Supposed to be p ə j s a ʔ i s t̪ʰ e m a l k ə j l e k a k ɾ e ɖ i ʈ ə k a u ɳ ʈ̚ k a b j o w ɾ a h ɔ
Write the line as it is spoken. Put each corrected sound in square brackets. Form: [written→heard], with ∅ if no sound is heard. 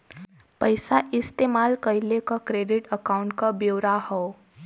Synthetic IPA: p ə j s a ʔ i s [t̪ʰ→t̪] e m a l k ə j l e k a k ɾ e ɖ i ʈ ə k a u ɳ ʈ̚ k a b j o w ɾ a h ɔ